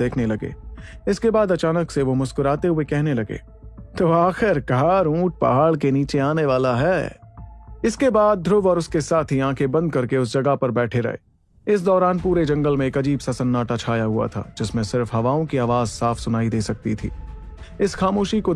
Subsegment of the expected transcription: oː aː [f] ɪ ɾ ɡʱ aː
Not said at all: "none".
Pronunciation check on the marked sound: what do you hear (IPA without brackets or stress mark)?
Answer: x